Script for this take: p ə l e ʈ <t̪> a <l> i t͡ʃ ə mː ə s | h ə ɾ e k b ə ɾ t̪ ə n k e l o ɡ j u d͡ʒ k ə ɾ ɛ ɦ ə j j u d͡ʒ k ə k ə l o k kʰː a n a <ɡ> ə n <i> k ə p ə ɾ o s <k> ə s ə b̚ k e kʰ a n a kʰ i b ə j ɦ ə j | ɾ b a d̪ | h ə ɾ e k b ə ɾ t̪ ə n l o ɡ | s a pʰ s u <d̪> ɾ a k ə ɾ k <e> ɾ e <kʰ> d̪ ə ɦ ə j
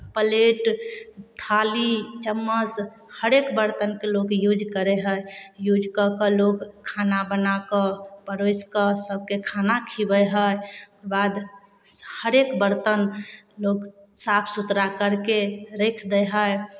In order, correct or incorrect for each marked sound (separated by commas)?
incorrect, correct, incorrect, incorrect, correct, incorrect, correct, correct